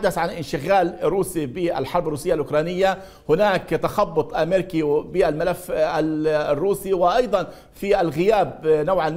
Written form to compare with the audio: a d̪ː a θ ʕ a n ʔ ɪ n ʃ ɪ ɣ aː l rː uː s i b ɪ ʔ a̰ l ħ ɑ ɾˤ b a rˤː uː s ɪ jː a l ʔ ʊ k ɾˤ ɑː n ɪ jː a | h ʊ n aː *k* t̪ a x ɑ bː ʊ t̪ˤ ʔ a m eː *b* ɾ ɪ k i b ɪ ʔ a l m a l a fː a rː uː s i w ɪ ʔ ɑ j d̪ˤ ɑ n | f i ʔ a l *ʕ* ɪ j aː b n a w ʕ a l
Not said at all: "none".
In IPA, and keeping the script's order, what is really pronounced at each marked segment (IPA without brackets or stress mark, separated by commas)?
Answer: k, none, ɣ